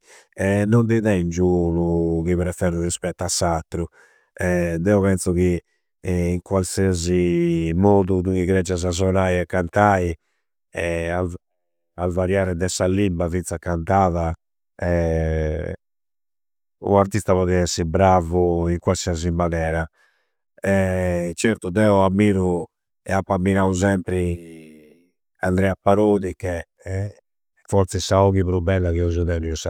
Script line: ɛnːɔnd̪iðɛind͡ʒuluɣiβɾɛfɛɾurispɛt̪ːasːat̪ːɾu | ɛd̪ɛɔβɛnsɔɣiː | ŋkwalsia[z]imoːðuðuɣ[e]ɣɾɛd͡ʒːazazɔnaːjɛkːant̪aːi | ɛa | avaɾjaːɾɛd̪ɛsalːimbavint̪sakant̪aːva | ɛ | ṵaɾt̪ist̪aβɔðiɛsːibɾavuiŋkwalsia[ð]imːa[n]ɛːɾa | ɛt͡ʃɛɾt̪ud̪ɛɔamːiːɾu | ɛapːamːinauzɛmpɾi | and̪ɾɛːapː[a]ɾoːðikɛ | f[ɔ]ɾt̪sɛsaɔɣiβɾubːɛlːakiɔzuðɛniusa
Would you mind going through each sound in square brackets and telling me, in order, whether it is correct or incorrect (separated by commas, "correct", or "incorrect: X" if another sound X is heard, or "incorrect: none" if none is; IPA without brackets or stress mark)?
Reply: correct, incorrect: i, incorrect: z, correct, correct, correct